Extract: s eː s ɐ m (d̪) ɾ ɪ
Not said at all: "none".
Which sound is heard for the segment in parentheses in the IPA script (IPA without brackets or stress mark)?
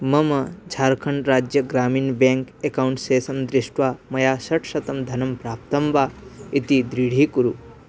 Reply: d̪